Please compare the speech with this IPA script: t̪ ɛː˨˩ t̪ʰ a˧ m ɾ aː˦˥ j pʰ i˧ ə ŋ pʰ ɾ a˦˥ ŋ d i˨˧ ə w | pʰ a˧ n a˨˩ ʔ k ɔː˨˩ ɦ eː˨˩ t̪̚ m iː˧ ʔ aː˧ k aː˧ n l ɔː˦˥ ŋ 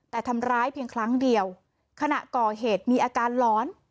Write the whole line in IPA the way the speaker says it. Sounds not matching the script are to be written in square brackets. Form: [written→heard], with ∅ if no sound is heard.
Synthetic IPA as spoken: t̪ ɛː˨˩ t̪ʰ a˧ m ɾ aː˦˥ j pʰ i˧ ə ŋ [pʰ→kʰ] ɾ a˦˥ ŋ d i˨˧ ə w | [pʰ→kʰ] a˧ n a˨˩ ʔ k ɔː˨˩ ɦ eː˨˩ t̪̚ m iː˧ ʔ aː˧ k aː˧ n l ɔː˦˥ [ŋ→n]